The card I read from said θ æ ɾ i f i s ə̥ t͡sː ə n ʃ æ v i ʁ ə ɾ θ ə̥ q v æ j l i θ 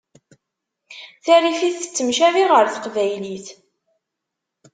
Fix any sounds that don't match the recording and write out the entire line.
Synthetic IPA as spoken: θ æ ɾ i f i θ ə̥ t͡sː ə m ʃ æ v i ʁ ə ɾ θ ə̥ q v æ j l i θ